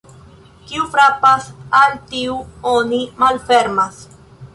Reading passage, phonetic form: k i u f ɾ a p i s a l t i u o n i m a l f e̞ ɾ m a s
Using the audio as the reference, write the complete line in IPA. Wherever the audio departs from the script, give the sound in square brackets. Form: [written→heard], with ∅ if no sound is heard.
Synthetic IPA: k i u f ɾ a p [i→a] s a l t i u o n i m a l f e̞ ɾ m a s